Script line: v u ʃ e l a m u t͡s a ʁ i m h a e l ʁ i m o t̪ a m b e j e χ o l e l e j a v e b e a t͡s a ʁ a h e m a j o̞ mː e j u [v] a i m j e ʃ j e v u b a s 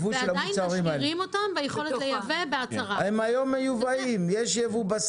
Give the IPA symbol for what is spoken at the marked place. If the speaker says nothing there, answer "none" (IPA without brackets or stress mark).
v